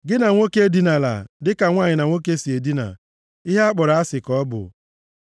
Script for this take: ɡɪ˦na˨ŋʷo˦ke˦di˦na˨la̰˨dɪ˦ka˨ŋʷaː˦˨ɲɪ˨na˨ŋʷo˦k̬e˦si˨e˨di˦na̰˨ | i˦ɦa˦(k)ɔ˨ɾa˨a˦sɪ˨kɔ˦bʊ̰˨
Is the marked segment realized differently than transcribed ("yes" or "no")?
yes